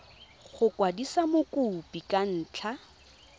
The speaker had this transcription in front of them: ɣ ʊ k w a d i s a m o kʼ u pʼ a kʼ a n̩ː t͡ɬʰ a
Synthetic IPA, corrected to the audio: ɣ ʊ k w a d i s a m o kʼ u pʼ i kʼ a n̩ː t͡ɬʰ a